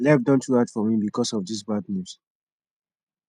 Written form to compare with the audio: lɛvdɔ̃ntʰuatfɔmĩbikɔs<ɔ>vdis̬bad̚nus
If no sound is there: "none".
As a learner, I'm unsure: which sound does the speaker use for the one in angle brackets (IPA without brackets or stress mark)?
ɔ